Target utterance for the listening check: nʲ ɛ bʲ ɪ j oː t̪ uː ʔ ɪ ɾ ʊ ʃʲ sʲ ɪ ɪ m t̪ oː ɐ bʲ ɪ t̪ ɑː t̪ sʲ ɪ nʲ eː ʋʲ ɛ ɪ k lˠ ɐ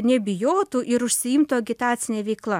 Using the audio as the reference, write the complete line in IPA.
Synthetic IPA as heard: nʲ ɛ bʲ ɪ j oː t̪ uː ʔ ɪ ɾ ʊ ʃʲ sʲ ɪ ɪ m t̪ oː ɐ ɡʲ ɪ t̪ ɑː t̪ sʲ ɪ nʲ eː ʋʲ ɛ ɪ k lˠ ɐ